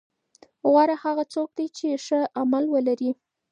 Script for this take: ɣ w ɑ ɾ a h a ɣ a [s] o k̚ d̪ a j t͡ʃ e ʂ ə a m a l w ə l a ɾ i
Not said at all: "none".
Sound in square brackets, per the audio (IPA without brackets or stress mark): t͡s